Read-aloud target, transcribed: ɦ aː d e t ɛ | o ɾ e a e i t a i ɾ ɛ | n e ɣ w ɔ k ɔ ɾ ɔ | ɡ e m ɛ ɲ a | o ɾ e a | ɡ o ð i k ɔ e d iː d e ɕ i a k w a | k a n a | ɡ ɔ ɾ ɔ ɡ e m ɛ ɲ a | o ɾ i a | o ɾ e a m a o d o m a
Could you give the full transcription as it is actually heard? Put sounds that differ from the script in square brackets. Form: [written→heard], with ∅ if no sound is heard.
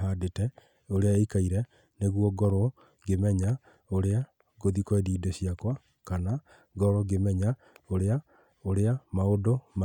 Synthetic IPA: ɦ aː d e t ɛ | o ɾ e a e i [t→k] a i ɾ ɛ | n e ɣ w ɔ [k→ɡ] ɔ ɾ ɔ | ɡ e m ɛ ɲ a | o ɾ e a | ɡ o ð i k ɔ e d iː d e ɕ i a k w a | k a n a | ɡ ɔ ɾ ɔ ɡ e m ɛ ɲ a | o ɾ [i→e] a | o ɾ e a m a o d o m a